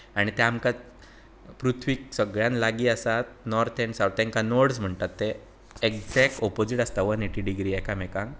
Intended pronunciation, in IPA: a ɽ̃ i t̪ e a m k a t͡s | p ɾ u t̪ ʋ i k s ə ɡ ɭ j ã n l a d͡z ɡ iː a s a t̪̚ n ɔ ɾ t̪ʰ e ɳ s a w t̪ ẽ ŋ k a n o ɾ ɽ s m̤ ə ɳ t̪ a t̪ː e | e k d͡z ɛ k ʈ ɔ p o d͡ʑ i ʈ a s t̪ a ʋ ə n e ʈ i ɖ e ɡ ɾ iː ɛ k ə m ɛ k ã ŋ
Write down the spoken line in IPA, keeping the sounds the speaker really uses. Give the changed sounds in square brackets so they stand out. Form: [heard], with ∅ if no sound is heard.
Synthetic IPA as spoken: a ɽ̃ i t̪ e a m k a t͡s | p ɾ u [t̪ʰ] ʋ i k s ə ɡ ɭ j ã n l a [∅] ɡ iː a s a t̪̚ n ɔ ɾ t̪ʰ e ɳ s a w t̪ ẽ ŋ k a n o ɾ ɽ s m̤ ə ɳ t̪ a t̪ː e | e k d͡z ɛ k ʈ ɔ p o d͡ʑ i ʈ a s t̪ a ʋ ə n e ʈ i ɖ [i] ɡ ɾ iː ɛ k [a] m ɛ k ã ŋ